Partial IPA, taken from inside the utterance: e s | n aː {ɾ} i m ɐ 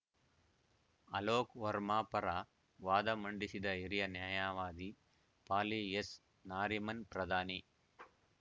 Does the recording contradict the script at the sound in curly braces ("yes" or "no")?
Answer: no